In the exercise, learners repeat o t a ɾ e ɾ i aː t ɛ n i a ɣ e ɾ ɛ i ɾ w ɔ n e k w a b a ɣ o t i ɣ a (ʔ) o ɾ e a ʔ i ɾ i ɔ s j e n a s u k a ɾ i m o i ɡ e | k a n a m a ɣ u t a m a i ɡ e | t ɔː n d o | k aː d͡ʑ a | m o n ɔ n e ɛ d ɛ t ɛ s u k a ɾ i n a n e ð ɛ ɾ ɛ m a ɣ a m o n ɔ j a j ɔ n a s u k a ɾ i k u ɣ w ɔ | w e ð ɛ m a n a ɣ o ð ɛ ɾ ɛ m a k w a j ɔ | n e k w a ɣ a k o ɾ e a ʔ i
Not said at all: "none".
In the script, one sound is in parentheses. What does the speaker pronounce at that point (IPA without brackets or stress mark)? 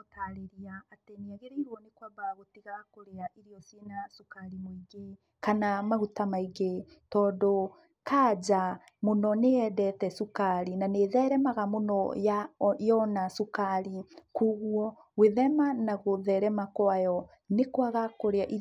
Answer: k